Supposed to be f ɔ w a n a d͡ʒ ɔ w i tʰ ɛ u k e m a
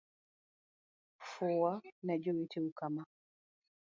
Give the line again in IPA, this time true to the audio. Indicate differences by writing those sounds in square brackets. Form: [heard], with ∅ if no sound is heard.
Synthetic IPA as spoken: f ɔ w a n a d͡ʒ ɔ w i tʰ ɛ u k [a] m a